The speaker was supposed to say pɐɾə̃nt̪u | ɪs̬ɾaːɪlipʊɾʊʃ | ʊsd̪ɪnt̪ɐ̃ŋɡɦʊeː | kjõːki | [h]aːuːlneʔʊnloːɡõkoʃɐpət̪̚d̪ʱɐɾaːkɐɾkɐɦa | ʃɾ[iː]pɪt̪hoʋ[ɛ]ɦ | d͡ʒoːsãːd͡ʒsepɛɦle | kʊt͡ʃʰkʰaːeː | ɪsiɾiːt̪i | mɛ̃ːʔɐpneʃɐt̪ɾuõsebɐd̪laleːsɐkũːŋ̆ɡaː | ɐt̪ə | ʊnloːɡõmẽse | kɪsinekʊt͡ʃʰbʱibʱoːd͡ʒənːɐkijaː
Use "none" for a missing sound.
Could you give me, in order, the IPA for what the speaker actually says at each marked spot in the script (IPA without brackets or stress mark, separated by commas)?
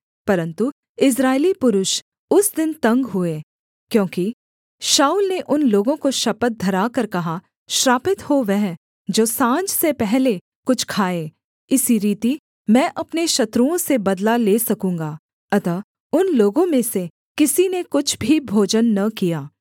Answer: ʃ, aː, ɛ